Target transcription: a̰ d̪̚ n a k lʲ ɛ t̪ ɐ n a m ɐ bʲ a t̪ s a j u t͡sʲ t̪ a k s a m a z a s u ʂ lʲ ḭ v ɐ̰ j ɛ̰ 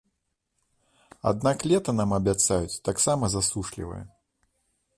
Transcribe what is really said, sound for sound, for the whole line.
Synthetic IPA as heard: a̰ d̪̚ n a k lʲ ɛ t̪ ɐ n a m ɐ bʲ a t̪ s a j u t͡sʲ t̪ a k s a m ɐ z a s u ʂ lʲ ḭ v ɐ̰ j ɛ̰